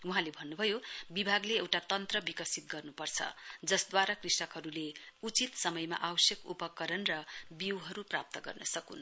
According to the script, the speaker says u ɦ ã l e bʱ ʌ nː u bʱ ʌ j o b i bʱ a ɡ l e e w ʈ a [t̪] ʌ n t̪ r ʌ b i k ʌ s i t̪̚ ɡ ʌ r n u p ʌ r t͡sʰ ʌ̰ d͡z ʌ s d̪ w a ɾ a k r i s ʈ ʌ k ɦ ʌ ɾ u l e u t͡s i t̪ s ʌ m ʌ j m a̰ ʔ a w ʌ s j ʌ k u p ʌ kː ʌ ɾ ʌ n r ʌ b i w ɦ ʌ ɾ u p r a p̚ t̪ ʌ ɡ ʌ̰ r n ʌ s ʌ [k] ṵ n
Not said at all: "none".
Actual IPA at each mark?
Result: t̪, k

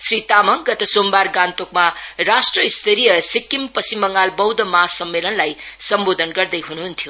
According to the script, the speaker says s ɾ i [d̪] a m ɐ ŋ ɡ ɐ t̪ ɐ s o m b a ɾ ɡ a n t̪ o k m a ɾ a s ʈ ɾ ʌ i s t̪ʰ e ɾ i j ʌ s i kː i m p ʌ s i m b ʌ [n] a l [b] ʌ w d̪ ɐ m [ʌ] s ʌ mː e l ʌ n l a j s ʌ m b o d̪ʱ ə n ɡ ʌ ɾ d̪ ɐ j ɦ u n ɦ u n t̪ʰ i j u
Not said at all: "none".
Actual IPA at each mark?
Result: t̪, ŋ, b, a

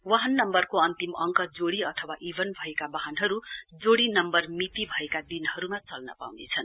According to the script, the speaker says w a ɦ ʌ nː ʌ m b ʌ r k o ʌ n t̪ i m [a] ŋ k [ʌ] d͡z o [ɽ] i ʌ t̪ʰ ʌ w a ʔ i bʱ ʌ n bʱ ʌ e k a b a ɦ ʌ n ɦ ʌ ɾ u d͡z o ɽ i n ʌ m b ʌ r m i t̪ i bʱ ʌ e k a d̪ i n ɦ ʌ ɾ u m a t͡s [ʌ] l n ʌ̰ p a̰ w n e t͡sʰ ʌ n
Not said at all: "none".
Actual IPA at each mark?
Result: ʌ, ʌ, ɽ, ʌ

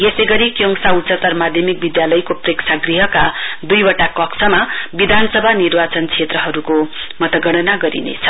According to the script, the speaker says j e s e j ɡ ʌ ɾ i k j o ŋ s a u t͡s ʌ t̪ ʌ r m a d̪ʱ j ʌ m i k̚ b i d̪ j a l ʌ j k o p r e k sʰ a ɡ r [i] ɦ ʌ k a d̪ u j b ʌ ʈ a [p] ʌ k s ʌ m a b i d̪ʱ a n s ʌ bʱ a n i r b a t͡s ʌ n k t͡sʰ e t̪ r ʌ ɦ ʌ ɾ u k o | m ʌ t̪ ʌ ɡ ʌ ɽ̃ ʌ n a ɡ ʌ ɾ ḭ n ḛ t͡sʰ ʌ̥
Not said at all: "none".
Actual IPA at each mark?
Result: i, k

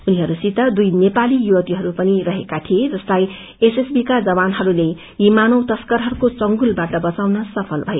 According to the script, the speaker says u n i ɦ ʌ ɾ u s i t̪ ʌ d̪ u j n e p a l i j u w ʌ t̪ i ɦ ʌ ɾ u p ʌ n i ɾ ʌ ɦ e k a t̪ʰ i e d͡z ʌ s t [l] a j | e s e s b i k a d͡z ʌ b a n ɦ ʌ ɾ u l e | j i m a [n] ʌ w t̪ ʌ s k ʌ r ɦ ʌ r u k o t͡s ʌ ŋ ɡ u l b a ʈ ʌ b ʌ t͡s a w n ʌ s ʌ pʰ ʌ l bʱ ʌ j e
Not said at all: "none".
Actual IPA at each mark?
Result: l, n

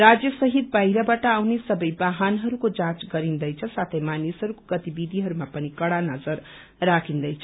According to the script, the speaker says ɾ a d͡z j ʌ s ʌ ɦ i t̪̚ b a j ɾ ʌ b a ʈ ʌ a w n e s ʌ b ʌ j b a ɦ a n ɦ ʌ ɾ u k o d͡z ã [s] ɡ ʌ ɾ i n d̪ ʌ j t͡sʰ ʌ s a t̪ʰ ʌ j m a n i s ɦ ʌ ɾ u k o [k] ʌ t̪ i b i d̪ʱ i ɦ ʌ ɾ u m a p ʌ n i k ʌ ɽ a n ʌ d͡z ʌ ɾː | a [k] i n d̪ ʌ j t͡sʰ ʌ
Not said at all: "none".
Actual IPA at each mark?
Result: t͡s, ɡ, kʰ

